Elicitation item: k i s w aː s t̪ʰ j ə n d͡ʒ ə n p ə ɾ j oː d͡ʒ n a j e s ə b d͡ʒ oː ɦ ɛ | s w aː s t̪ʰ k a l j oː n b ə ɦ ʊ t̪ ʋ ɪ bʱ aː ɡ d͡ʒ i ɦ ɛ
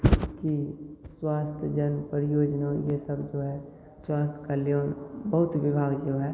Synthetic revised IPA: k i s w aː s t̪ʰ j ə d͡ʒ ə n p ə ɾ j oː d͡ʒ n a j e s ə b d͡ʒ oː ɦ ɛ | s w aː s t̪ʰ k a l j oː n b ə ɦ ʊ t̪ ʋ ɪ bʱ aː ɡ d͡ʒ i ɦ ɛ